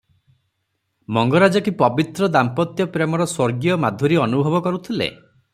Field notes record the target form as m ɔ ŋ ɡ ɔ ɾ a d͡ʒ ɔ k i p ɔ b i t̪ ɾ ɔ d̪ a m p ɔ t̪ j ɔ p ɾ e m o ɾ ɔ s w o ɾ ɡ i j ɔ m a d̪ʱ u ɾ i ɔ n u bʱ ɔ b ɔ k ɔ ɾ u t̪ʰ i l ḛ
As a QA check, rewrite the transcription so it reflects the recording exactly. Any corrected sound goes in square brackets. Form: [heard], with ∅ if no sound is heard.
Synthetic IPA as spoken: m ɔ ŋ ɡ ɔ ɾ a d͡ʒ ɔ k i p ɔ b i t̪ ɾ ɔ d̪ a m p ɔ t̪ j ɔ p ɾ e m [ɔ] ɾ ɔ s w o ɾ ɡ i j ɔ m a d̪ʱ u ɾ i ɔ n u bʱ ɔ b ɔ k ɔ ɾ u t̪ʰ i l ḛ